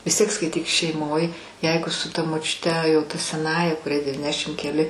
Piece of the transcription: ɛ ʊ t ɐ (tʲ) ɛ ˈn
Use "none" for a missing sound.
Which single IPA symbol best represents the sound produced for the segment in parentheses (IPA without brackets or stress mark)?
sʲ